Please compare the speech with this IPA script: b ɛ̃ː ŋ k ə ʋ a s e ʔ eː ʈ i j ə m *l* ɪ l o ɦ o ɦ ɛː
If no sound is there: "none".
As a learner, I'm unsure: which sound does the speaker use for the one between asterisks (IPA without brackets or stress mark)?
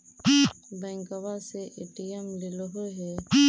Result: l